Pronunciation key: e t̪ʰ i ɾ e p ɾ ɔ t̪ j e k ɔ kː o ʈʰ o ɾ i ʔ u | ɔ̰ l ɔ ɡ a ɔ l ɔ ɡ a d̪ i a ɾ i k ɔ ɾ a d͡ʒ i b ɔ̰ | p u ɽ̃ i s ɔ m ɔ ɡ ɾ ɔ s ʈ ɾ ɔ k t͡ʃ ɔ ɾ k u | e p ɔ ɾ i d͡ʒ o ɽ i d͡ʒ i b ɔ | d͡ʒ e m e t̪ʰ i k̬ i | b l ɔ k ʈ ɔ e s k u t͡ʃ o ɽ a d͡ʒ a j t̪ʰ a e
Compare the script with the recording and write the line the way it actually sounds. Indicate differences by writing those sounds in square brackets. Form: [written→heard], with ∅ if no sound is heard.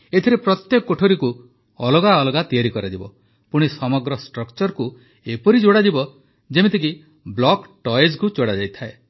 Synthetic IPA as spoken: e t̪ʰ i ɾ e p ɾ ɔ t̪ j e k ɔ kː o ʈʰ o ɾ i [ʔ→k] u | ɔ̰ l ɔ ɡ a ɔ l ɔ ɡ a [d̪→t̪] i a ɾ i k ɔ ɾ a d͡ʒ i b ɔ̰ | p u ɽ̃ i s ɔ m ɔ ɡ ɾ ɔ s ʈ ɾ ɔ k t͡ʃ ɔ ɾ k u | e p ɔ ɾ i d͡ʒ o ɽ [i→a] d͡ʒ i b ɔ | d͡ʒ e m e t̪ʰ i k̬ i | b l ɔ k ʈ ɔ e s k u t͡ʃ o ɽ a d͡ʒ a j t̪ʰ a e